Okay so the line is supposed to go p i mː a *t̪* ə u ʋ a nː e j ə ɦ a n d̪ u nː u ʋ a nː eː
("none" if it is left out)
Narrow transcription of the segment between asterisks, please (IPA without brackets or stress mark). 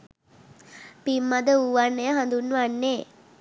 d̪